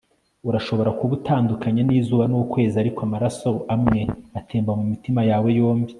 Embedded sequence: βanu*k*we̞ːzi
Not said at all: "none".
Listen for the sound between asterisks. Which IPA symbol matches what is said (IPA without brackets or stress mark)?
k